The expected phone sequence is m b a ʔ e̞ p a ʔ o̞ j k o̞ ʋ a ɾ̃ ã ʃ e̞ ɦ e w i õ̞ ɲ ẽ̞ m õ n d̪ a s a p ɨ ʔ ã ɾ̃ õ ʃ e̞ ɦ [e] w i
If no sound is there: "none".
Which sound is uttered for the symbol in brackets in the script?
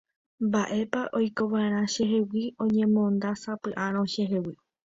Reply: e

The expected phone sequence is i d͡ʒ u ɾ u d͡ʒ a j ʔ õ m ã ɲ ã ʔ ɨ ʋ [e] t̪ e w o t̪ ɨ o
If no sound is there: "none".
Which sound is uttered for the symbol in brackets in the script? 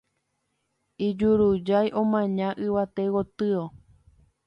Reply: a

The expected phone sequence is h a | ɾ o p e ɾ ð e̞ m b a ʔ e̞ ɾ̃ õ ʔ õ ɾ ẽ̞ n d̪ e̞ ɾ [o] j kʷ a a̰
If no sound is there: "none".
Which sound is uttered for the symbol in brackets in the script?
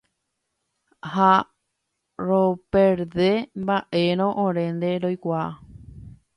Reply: o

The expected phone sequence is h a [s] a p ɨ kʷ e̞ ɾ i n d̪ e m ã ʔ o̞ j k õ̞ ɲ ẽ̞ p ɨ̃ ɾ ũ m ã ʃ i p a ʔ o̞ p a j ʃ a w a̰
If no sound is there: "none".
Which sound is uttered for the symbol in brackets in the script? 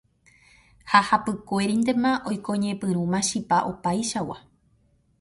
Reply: h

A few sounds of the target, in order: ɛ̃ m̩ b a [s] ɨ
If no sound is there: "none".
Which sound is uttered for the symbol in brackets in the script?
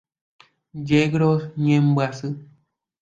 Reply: s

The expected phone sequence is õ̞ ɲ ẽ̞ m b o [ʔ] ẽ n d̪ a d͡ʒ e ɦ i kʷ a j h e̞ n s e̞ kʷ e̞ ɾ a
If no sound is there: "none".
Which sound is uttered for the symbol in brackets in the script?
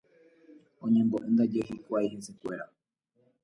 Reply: ʔ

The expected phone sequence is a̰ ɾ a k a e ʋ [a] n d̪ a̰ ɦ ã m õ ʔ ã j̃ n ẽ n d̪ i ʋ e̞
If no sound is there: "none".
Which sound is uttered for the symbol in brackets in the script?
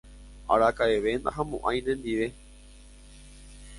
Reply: e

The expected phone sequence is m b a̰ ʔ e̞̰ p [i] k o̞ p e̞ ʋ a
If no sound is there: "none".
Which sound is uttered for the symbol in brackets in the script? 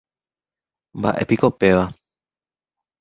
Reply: i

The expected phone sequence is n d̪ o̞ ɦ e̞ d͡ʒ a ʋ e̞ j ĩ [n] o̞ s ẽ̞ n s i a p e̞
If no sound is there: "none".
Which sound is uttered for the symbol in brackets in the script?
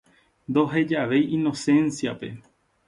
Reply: n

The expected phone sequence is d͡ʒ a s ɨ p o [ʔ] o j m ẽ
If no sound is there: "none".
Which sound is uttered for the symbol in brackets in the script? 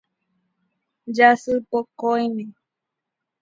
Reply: k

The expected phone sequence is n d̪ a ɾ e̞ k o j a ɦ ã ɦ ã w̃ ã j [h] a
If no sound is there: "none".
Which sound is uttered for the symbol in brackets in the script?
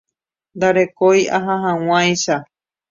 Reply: ʃ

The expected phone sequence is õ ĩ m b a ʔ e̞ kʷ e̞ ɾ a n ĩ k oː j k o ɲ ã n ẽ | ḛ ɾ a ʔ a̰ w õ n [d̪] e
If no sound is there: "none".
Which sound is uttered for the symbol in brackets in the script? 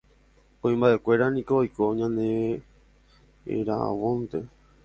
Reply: t̪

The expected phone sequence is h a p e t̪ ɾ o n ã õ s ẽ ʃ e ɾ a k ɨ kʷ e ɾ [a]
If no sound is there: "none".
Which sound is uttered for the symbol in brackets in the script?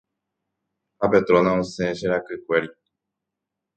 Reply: i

